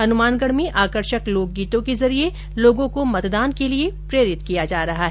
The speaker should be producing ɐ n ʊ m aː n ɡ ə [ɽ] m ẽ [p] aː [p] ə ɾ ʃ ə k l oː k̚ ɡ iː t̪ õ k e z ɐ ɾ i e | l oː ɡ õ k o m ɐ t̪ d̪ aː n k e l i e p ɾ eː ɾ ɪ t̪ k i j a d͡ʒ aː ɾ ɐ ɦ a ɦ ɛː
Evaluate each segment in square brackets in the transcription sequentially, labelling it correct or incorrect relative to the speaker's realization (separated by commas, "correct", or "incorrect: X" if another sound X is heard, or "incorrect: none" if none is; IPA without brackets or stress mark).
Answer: correct, incorrect: ʔ, incorrect: k